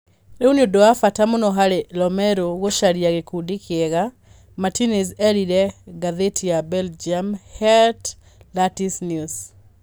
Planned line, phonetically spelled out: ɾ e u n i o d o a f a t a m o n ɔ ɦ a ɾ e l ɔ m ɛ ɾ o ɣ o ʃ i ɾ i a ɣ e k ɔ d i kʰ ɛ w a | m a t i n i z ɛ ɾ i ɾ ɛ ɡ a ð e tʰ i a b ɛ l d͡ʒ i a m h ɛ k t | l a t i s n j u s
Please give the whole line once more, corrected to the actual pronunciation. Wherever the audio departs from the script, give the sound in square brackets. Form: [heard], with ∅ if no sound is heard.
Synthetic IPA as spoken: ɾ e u n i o d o a f a t a m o n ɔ ɦ a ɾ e l ɔ m ɛ ɾ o ɣ o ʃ [a] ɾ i a ɣ e k [u] d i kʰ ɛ [ɣ] a | m a t i n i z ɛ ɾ i ɾ ɛ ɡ a ð e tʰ i a b ɛ l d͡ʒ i a m h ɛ [∅] t | l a t i s n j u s

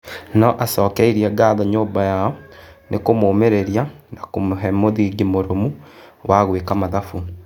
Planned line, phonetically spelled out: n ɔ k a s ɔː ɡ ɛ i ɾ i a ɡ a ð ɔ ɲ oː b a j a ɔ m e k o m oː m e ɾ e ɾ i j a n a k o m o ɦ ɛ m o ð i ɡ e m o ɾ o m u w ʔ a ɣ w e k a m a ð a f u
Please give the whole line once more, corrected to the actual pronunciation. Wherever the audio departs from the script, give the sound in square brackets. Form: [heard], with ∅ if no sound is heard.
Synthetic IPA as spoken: n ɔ [ʔ] a s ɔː [k] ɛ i ɾ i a ɡ a ð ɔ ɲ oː b a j a ɔ [n] e k o m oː m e ɾ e ɾ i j a n a k o m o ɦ ɛ m o ð i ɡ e m o ɾ o m u w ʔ a ɣ w e k a m a ð a f u

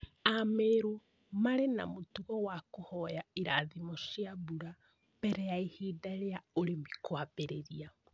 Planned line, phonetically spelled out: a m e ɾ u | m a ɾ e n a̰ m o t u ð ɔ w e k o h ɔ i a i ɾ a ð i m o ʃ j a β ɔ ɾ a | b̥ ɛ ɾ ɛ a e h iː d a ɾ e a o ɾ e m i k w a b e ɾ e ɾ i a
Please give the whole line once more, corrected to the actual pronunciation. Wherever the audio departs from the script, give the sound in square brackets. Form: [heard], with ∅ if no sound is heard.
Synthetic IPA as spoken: a m e ɾ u | m a ɾ e n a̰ m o t u [ɣ] ɔ w [a] k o h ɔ [j] a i ɾ a ð i m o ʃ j a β [u] ɾ a | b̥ ɛ ɾ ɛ a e h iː d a ɾ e a o ɾ e m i k w a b e ɾ e ɾ i a

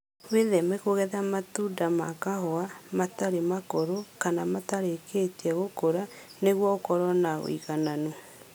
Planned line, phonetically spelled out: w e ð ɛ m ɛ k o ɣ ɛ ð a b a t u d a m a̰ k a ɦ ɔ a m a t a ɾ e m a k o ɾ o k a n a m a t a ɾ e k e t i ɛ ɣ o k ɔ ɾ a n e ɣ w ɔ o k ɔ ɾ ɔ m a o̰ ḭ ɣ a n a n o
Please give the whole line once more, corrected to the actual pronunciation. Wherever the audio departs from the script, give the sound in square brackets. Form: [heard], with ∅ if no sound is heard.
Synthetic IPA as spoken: w e ð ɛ m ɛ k o ɣ ɛ ð a [m] a t u d a m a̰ k a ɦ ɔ a m a t a ɾ e m a k o ɾ o k a n a m a t a ɾ e k e t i ɛ ɣ o k [o] ɾ a n e ɣ w ɔ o k ɔ ɾ ɔ [n] a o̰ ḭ ɣ a n a n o

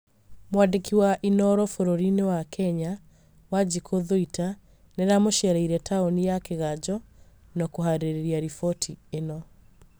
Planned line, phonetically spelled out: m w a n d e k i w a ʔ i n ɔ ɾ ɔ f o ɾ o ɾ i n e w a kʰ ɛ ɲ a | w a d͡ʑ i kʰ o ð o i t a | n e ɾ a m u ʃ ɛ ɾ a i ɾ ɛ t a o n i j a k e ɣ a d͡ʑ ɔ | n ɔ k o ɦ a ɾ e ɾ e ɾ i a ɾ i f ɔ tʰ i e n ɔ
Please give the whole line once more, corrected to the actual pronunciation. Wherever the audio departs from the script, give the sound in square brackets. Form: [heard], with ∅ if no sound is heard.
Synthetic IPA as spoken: m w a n d e k i w a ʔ i n ɔ ɾ ɔ f o ɾ o ɾ i n e w a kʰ ɛ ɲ a | w a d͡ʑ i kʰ o ð o i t a | n e ɾ a m [o] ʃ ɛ ɾ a i ɾ ɛ t a o n i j a k e ɣ a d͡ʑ ɔ | n ɔ k o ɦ a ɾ e ɾ e ɾ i a ɾ i f ɔ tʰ i e n ɔ

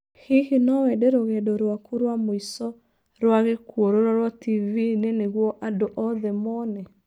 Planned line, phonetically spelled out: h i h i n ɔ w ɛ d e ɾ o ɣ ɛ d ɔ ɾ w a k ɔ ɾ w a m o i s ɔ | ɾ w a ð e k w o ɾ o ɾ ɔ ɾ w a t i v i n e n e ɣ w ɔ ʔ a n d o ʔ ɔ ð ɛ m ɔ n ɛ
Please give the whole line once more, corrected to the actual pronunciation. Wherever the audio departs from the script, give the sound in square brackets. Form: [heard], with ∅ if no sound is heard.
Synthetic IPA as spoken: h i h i n ɔ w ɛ d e ɾ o ɣ ɛ d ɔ ɾ w a k [u] ɾ w a m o i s ɔ | ɾ w a [ɣ] e k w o ɾ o ɾ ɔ ɾ w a t i v i n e n e ɣ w ɔ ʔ a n d o ʔ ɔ ð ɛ m ɔ n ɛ

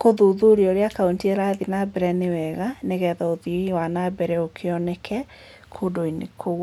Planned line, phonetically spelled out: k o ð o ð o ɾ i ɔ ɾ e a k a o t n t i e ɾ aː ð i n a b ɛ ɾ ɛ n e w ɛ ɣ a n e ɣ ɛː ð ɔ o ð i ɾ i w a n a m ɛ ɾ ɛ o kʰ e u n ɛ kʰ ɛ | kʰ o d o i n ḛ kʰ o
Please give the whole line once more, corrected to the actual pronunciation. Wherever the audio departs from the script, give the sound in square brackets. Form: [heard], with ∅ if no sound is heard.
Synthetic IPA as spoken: k o ð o ð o ɾ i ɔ ɾ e a k a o [∅] n t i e ɾ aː ð i n a b ɛ ɾ ɛ n e w ɛ ɣ a n e ɣ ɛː ð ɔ o ð i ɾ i w a n a [b] ɛ ɾ ɛ o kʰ e [ɔ] n ɛ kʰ ɛ | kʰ o d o i n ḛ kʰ o

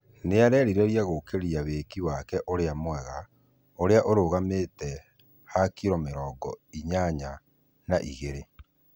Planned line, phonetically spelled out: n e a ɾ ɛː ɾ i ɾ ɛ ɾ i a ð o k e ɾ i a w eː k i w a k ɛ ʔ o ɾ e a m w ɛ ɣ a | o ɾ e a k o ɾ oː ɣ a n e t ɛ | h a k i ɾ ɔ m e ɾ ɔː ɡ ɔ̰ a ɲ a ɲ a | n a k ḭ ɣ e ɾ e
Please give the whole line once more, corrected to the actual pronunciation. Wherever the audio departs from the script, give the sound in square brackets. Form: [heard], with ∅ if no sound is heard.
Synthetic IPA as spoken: n e a ɾ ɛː ɾ i ɾ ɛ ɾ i a [ɣ] o k e ɾ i a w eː k i w a k ɛ ʔ o ɾ e a m w ɛ ɣ a | o ɾ e a [ʔ] o ɾ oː ɣ a [m] e t ɛ | h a k i ɾ ɔ m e ɾ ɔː ɡ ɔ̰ [i] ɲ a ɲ a | n a [ʔ] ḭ ɣ e ɾ e

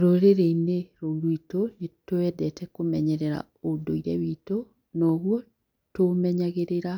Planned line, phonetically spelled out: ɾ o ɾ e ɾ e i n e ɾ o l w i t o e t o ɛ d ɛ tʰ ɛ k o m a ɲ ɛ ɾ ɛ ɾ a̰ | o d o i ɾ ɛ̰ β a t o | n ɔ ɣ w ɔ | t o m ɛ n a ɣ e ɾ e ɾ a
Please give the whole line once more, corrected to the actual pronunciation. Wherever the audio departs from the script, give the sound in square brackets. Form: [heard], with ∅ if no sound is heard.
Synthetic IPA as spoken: ɾ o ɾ e ɾ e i n e ɾ o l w i t o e t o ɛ d ɛ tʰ ɛ k o m [ɛ] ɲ ɛ ɾ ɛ ɾ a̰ | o d o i ɾ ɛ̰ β [i] t o | n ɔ ɣ w ɔ | t o m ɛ [ɲ] a ɣ e ɾ e ɾ a

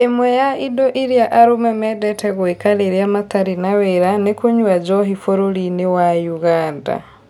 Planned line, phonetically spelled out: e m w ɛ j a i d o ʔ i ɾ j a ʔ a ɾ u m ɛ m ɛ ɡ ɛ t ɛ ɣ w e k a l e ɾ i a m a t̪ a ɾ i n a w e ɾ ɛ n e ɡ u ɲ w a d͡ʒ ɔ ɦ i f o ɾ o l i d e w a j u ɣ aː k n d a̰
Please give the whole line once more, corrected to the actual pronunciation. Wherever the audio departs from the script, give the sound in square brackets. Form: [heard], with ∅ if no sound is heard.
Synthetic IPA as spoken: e m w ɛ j a i d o ʔ i ɾ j a ʔ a ɾ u m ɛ m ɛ [d] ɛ t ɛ ɣ w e k a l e ɾ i a m a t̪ a ɾ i n a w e ɾ [a] n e [k] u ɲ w a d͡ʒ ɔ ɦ i f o ɾ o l i [n] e w a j u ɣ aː [∅] n d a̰

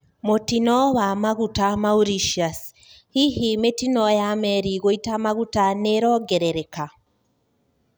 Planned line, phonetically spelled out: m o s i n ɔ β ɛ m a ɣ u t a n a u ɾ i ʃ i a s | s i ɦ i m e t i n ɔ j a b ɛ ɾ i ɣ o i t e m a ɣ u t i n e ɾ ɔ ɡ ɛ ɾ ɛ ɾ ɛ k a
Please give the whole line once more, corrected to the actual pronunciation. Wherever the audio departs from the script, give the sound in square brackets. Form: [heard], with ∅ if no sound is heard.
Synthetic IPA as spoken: m o [t] i n ɔ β [a] m a ɣ u t a [m] a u ɾ i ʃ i a s | [h] i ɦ i m e t i n ɔ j a [m] ɛ ɾ i ɣ o i t [a] m a ɣ u t [a] n e ɾ ɔ ɡ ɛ ɾ ɛ ɾ ɛ k a

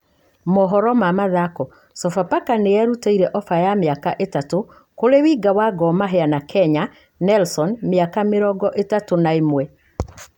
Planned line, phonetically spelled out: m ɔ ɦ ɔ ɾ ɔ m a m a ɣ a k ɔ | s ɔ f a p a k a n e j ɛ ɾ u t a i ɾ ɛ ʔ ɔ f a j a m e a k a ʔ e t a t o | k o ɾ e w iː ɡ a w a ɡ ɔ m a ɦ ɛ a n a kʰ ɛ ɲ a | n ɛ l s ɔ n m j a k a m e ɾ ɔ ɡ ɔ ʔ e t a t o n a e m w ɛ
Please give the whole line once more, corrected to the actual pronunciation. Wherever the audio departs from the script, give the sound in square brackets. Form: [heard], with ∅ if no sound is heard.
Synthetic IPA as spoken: m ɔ ɦ ɔ ɾ ɔ m a m a [ð] a k ɔ | s ɔ f a p a k a n e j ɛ ɾ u t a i ɾ ɛ ʔ ɔ f a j a m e a k a ʔ e t a t o | k o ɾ e w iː ɡ a w a ɡ ɔ m a ɦ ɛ a n a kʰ ɛ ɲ a | n ɛ l s ɔ n m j a k a m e ɾ ɔ ɡ ɔ ʔ e t a t o n a e m w ɛ

